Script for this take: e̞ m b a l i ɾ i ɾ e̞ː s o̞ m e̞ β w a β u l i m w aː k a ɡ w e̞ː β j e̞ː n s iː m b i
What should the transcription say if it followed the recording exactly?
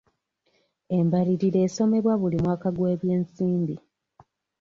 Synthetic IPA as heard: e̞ m b a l i ɾ i ɾ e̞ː s o̞ m e̞ β w a β u l i m w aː k a ɡ w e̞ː β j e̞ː n s iː m b i